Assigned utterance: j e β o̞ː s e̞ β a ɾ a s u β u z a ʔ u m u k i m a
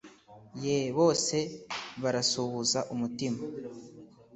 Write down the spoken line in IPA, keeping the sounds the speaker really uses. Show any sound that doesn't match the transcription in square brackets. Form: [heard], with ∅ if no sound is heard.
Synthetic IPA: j e β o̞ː s e̞ β a ɾ a s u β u z a ʔ u m u [t] i m a

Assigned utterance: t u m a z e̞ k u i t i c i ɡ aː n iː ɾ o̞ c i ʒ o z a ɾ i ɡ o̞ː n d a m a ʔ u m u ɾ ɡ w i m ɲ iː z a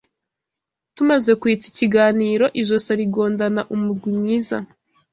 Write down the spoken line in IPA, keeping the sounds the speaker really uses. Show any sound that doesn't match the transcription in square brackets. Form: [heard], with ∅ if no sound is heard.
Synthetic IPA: t u m a z e̞ k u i [t͡s] i c i ɡ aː n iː ɾ o̞ [ʔ] i ʒ o [s] a ɾ i ɡ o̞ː n d a [n] a ʔ u m u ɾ ɡ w i m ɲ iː z a

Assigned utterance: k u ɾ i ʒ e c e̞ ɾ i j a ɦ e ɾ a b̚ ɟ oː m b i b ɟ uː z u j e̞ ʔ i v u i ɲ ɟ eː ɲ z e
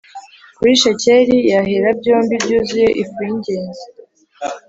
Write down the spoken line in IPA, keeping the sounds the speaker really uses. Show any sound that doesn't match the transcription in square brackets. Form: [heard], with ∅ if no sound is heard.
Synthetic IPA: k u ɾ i [ʃ] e c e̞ ɾ i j a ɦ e ɾ a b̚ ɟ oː m b i b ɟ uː z u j e̞ ʔ i [f] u i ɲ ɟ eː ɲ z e

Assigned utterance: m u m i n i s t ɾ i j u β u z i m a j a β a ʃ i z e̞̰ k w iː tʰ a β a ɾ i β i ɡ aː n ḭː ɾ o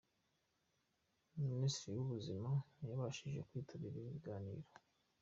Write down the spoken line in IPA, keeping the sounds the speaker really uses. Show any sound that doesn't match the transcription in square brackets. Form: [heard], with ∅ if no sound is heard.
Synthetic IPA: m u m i n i s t ɾ i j u β u z i m a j a β a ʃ i [ʒ] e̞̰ k w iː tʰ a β [i] ɾ i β i ɡ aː n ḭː ɾ o

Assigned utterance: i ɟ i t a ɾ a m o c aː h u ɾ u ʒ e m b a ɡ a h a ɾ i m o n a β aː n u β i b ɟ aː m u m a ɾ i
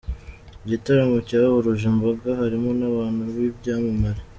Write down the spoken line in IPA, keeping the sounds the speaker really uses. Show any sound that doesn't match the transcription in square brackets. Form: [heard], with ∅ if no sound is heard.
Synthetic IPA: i ɟ i t a ɾ a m o c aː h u ɾ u ʒ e m b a ɡ a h a ɾ i m o n a β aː n u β i b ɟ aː m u m a ɾ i

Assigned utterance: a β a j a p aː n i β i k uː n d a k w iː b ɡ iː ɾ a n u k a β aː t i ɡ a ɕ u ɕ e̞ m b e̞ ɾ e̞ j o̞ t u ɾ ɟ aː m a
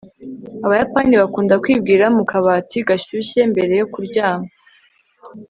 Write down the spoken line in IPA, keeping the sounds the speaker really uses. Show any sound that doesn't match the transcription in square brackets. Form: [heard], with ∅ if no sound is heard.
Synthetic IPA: a β a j a p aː n i β [a] k uː n d a k w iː b ɡ iː ɾ a [m] u k a β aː t i ɡ a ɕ u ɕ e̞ m b e̞ ɾ e̞ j o̞ [k] u ɾ ɟ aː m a

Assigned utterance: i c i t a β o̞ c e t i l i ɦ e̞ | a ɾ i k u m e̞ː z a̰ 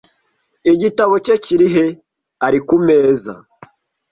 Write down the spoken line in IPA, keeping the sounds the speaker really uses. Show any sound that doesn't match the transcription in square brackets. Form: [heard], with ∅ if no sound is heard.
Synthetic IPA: i [ɟ] i t a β o̞ c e [c] i [ɾ] i ɦ e̞ | a ɾ i k u m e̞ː z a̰

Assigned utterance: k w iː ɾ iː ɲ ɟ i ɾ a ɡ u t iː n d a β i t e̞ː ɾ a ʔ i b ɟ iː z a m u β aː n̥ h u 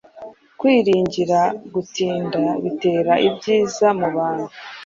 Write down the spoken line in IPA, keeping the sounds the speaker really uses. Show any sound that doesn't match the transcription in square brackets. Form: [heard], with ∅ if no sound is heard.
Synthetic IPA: k w iː ɾ iː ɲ ɟ i ɾ a ɡ u t iː n d a β i t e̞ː ɾ a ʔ i b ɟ iː z a m u β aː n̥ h u

